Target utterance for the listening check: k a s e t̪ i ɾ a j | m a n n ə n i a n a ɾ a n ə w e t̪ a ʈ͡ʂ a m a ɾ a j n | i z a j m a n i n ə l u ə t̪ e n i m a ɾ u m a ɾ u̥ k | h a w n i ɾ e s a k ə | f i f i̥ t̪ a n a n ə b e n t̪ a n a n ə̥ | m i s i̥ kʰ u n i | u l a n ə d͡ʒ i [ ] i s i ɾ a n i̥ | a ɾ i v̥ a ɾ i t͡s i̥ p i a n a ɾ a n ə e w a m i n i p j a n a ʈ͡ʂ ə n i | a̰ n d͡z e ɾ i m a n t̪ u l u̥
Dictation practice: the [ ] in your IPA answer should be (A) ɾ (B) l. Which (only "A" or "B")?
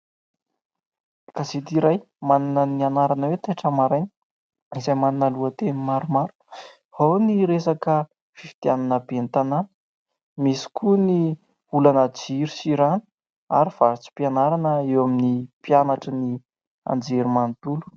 A